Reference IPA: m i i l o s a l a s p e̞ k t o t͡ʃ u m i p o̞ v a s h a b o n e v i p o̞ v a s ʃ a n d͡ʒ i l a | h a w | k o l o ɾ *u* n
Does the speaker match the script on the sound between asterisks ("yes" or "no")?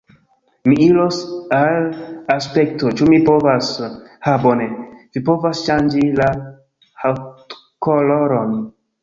no